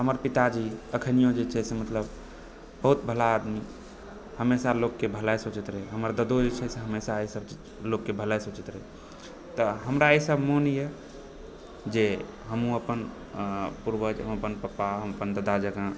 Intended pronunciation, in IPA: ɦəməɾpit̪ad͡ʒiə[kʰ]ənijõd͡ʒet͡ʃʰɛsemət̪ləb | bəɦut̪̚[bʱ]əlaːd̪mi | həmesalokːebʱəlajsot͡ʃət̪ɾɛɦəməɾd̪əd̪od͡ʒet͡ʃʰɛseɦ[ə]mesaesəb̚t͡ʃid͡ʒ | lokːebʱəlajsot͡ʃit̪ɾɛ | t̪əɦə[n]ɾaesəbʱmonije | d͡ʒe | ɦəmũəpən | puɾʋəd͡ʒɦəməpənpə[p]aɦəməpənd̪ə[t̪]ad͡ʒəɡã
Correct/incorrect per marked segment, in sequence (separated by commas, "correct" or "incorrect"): correct, correct, correct, incorrect, correct, incorrect